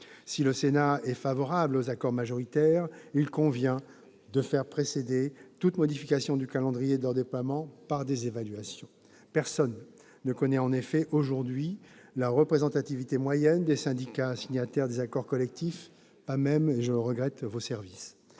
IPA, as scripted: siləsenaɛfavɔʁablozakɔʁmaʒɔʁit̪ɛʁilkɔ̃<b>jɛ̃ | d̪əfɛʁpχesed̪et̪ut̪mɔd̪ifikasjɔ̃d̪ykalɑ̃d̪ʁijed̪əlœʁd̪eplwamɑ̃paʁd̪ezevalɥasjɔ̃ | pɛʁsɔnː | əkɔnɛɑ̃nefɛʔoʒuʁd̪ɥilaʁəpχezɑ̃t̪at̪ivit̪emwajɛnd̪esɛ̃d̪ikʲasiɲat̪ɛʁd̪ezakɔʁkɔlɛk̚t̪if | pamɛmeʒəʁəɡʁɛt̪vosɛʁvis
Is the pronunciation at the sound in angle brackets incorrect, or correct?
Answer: incorrect